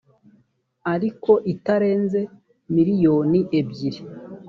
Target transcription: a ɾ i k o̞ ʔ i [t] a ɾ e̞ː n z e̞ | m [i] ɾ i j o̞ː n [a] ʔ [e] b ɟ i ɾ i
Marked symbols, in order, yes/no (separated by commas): yes, yes, no, yes